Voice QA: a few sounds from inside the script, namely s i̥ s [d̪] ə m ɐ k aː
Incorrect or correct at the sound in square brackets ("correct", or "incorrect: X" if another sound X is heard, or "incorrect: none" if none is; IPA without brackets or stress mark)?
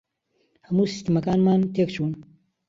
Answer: incorrect: t̪